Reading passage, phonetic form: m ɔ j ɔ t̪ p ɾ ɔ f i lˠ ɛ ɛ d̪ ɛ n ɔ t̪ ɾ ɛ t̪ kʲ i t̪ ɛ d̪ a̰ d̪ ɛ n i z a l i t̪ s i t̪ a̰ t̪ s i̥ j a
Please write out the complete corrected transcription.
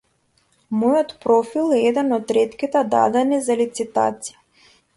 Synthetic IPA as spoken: m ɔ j ɔ t̪ p ɾ ɔ f i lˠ ɛ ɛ d̪ ɛ n ɔ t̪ ɾ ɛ t̪ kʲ i t̪ ɛ d̪ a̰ d̪ ɛ n i z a l i t̪ s i t̪ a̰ t̪ s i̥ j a